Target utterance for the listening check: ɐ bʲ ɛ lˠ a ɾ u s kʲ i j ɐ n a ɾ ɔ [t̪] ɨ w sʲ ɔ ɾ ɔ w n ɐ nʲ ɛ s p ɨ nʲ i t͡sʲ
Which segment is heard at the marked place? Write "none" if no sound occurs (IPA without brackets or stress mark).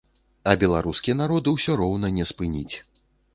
d̪